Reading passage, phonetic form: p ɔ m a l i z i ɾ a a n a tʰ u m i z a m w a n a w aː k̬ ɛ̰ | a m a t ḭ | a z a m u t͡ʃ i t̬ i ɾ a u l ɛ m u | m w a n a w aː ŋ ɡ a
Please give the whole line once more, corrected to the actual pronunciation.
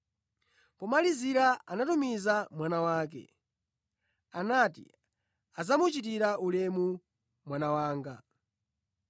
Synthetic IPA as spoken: p ɔ m a l i z i ɾ a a n a t u m i z a m w a n a w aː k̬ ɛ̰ | a n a t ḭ | a z a m u t͡ʃ i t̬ i ɾ a u l ɛ m u | m w a n a w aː ŋ ɡ a